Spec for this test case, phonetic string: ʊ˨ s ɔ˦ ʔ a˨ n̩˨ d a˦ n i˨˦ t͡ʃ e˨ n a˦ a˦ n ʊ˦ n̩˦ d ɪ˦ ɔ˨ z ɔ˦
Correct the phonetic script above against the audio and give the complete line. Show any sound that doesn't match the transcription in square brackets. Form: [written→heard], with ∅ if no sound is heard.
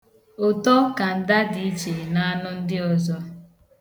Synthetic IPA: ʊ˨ [s→t] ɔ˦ [ʔ→k] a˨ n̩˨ d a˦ [n→d] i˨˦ t͡ʃ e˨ n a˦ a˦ n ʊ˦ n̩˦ d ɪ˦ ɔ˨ z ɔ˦

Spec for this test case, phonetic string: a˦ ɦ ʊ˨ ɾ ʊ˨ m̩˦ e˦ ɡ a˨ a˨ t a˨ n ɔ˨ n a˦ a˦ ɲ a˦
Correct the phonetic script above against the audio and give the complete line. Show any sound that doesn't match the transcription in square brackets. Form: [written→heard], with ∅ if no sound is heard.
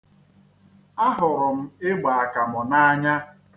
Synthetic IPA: a˦ ɦ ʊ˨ ɾ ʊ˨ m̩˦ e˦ [ɡ→ɡ͡b] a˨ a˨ [t→k] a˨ [n→m] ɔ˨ n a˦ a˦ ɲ a˦

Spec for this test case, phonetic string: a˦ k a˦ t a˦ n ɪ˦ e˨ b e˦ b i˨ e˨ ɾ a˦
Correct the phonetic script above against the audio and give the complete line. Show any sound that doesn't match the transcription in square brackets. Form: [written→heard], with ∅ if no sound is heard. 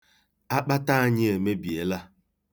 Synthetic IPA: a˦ [k→k͡p] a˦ t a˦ [n→ɲ] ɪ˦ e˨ [b→m] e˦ b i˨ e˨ [ɾ→l] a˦

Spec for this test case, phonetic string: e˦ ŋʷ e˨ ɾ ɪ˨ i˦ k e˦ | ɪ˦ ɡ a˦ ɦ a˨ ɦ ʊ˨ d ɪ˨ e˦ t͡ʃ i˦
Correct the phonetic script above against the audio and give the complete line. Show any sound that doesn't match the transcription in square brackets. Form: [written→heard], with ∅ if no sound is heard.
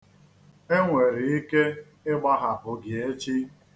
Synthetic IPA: e˦ ŋʷ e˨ ɾ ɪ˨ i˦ k e˦ | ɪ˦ [ɡ→ɡ͡b] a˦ ɦ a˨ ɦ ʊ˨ [d→ɡ] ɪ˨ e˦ t͡ʃ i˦

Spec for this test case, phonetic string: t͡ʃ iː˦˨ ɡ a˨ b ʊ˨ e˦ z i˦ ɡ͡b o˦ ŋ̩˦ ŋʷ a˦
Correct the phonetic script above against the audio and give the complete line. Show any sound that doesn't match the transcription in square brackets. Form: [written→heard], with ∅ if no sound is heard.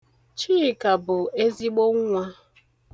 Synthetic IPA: t͡ʃ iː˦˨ [ɡ→k] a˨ b ʊ˨ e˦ z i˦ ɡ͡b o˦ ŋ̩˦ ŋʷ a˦

